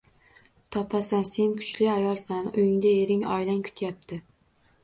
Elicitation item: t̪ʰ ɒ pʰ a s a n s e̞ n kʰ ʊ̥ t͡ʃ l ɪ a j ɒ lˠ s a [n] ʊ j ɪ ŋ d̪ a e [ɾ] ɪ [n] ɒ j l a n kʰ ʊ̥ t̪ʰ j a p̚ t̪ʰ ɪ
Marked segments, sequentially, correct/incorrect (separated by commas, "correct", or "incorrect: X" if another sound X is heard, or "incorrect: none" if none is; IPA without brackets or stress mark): correct, correct, incorrect: ŋ